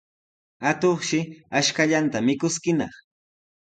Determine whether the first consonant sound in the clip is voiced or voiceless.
voiceless